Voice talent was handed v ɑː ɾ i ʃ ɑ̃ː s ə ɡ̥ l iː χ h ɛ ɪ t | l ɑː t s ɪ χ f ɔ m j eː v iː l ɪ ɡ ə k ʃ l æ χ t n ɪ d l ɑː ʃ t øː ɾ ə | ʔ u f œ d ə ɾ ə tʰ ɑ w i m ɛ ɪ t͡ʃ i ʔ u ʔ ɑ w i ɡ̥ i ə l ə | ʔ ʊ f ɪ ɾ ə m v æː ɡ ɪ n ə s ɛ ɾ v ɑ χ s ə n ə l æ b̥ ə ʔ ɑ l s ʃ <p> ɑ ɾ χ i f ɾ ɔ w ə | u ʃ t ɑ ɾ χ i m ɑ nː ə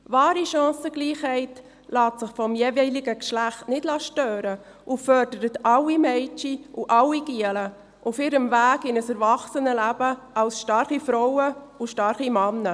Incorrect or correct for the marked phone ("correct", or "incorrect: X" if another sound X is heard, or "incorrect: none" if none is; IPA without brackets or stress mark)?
incorrect: t